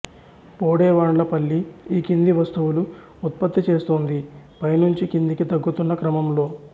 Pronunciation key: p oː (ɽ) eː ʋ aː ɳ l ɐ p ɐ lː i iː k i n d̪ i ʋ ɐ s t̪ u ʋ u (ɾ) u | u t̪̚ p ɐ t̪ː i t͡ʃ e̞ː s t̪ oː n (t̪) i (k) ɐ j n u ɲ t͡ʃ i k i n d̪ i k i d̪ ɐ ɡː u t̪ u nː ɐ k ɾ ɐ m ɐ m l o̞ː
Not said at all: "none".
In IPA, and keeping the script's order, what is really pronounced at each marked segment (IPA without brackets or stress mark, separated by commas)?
ɽ, l, d̪, p